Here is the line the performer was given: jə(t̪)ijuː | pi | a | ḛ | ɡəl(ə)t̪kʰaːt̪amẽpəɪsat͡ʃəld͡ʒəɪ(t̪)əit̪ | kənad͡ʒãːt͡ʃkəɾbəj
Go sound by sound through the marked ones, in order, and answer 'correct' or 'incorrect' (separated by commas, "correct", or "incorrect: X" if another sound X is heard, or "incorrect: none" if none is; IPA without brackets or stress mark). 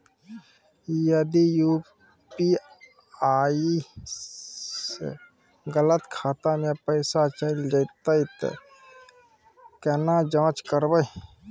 incorrect: d̪, correct, correct